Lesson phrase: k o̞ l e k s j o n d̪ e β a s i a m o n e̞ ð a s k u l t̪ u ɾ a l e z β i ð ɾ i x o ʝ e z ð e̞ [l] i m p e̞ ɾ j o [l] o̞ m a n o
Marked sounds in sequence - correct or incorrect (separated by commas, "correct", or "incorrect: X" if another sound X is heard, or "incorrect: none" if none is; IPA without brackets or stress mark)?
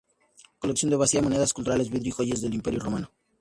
correct, incorrect: r